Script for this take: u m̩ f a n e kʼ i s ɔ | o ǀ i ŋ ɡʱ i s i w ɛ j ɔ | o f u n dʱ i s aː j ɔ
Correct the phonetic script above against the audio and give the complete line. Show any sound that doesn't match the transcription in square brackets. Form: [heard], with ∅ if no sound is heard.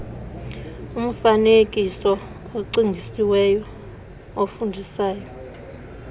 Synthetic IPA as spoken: u m̩ f a n e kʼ i s ɔ | o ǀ i ŋ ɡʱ i s i w ɛ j ɔ | o f u n dʱ i s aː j ɔ

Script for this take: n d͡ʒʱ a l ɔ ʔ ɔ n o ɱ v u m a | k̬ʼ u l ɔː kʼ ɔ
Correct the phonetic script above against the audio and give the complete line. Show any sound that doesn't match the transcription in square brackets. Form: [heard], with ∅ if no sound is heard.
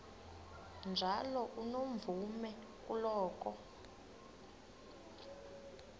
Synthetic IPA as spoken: n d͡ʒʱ a l ɔ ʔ [u] n o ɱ v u m [ɛ] | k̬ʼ u l ɔː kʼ ɔ

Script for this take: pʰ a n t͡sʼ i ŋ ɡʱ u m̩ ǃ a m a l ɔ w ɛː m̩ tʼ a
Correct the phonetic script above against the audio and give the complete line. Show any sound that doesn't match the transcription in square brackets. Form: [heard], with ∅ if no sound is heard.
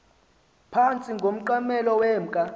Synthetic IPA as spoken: pʰ a n t͡sʼ i ŋ ɡʱ [o] m̩ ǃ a m [ɛ] l ɔ w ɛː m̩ [kʼ] a

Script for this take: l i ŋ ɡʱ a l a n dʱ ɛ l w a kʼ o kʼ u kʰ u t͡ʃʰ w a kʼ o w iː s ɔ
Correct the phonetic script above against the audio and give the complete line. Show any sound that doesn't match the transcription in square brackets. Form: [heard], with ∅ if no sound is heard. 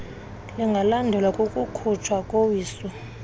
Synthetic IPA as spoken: l i ŋ ɡʱ a l a n dʱ ɛ l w a kʼ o kʼ u kʰ u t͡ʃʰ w a kʼ o w iː s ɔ

